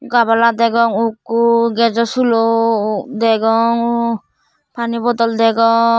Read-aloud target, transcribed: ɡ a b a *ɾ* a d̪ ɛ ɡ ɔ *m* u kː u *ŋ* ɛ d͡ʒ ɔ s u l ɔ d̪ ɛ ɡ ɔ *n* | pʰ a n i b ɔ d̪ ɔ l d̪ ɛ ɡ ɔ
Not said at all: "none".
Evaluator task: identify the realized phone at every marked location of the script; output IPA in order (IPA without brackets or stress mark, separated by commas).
l, ŋ, ɡ, ŋ